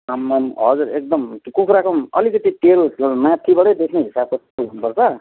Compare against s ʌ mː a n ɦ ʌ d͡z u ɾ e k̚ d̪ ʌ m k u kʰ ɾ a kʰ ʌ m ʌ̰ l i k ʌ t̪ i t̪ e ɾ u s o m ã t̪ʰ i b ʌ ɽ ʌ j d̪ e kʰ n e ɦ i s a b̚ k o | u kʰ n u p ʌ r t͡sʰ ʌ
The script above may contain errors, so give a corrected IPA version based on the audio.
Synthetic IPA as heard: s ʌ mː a n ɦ ʌ d͡z u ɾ e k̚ d̪ ʌ m k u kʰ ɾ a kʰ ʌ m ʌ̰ l i k ʌ t̪ i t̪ e ɾ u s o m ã t̪ʰ i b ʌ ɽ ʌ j d̪ e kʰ n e ɦ i s a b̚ k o | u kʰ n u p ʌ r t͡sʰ ʌ